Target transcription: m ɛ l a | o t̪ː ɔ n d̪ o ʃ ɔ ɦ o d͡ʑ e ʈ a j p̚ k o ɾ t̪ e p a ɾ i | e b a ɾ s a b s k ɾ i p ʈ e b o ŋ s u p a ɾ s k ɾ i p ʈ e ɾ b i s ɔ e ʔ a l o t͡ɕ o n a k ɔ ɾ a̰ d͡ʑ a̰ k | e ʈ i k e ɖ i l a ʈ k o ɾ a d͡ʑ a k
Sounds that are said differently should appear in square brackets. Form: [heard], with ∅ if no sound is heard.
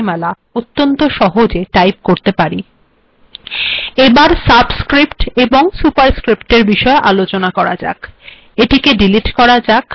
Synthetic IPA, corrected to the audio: m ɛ l a | o t̪ː [o] n [t̪] o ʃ ɔ ɦ o d͡ʑ e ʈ a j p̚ k o ɾ t̪ e p a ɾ i | e b a ɾ s a b s k ɾ i p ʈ e b o ŋ s u p a ɾ s k ɾ i p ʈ e ɾ b i [ʃ] ɔ e ʔ a l o t͡ɕ o n a k ɔ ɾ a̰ d͡ʑ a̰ k | e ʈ i k e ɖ i l [i] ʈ k [ɔ] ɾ a d͡ʑ a k